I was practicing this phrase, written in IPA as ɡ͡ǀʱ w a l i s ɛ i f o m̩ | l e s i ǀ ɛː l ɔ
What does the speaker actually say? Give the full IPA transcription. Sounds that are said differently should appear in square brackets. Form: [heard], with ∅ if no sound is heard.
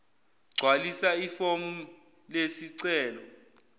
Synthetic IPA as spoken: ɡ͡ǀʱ w a l i s [a] i f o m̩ | l e s i ǀ ɛː l ɔ

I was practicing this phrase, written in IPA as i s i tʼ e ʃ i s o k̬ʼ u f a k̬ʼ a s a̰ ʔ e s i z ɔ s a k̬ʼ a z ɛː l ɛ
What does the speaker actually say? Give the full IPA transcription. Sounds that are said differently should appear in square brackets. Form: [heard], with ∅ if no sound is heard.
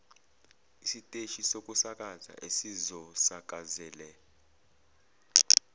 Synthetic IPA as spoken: i s i tʼ e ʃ i s o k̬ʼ u [s] a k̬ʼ a [z] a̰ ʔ e s i z ɔ s a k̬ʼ a z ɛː l ɛ

